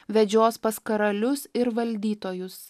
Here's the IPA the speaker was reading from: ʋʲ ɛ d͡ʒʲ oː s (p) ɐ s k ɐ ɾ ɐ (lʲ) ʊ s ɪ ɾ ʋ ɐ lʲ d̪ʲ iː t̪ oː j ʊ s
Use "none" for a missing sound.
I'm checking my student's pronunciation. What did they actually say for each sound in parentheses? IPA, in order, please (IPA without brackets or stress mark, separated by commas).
p, lʲ